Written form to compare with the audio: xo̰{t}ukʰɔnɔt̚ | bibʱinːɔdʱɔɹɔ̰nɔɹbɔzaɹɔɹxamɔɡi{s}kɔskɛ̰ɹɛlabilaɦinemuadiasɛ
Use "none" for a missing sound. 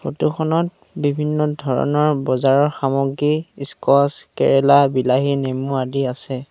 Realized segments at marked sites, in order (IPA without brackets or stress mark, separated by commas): t, s